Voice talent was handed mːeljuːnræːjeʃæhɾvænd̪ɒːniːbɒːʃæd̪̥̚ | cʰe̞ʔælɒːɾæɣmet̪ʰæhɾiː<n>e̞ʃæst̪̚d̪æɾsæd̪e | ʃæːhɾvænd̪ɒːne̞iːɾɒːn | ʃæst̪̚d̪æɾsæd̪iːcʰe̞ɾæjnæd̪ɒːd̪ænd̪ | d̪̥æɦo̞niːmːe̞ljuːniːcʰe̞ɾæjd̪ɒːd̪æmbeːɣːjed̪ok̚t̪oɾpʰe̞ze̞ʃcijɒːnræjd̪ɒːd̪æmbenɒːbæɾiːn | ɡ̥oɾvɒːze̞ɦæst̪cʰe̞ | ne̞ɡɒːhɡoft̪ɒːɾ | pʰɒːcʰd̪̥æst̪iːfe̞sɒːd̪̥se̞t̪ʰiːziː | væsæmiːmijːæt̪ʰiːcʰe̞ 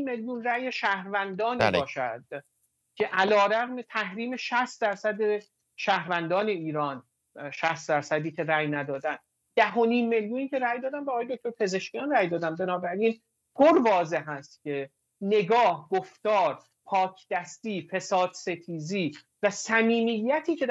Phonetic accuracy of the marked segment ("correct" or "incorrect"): incorrect